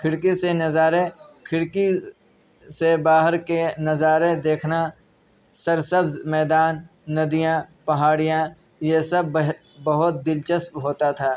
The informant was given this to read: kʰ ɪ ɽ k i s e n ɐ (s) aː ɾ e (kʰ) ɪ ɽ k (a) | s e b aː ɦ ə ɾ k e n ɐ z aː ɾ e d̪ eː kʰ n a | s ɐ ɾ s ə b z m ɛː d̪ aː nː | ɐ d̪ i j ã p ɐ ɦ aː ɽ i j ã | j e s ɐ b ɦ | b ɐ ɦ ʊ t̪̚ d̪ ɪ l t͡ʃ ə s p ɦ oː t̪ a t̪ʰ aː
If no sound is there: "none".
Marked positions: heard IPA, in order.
z, kʰ, i

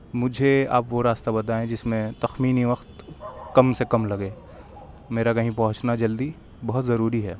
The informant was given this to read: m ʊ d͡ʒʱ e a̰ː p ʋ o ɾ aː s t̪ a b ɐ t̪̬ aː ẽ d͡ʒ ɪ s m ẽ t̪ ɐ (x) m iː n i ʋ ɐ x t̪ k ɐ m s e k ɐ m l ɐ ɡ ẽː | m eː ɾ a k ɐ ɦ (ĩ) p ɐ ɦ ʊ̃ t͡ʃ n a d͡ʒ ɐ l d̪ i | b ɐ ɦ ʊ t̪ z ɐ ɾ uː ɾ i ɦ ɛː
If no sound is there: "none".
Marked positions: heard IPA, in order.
x, ĩ

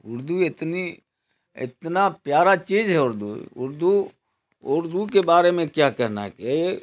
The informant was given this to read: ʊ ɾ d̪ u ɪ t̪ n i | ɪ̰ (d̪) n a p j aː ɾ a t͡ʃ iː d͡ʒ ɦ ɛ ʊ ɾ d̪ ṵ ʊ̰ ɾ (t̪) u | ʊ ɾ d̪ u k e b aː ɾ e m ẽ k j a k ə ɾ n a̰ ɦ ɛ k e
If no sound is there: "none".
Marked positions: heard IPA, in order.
t̪, d̪

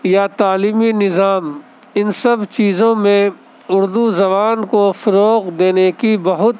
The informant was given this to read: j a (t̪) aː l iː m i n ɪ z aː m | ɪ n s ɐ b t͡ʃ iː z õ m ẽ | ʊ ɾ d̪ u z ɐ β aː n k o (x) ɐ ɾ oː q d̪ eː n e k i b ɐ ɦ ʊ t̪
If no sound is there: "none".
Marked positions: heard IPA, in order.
t̪, f

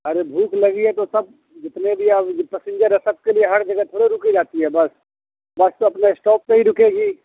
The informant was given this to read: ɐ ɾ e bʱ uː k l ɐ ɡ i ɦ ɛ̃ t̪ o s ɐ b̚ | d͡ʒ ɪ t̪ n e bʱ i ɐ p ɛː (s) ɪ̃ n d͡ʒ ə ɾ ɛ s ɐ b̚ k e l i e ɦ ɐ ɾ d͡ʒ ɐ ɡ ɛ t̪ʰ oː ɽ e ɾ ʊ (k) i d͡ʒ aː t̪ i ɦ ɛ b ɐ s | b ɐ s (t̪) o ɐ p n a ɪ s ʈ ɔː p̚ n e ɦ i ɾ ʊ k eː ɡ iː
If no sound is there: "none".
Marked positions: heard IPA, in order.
s, k, t̪

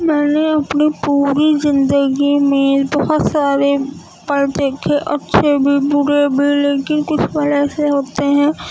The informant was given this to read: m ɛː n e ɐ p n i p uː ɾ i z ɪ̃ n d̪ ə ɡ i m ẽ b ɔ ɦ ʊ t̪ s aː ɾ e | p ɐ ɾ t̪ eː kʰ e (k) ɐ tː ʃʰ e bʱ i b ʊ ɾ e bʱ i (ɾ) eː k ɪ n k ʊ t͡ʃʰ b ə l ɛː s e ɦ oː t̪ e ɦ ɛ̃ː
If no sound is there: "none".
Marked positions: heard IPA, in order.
ʔ, l

